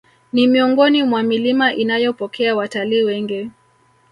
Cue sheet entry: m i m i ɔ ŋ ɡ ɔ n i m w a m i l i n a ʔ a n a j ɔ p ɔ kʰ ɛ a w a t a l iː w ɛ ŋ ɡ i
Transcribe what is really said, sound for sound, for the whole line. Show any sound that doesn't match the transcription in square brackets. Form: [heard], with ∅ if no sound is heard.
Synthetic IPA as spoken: [n] i m i ɔ ŋ ɡ ɔ n i m w a m i l i [m] a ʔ [i] n a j ɔ p ɔ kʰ ɛ a w a t a l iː w ɛ ŋ ɡ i